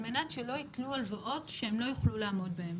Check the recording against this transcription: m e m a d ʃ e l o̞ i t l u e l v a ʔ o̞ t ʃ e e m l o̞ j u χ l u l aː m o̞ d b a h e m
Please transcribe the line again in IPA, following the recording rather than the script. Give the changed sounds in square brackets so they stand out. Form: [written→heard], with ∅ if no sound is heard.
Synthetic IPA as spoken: m e [m→n] a [d→t] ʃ e l o̞ i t l u [e→a] l v a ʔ o̞ t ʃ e e m l o̞ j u χ l u l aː m o̞ d b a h e m